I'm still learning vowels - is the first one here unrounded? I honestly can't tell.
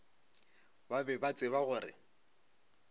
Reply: yes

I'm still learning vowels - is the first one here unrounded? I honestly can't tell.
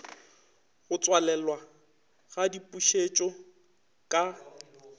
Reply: no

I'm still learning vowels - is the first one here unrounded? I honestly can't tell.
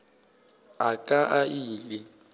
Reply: yes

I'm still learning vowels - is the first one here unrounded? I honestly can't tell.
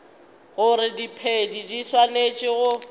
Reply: no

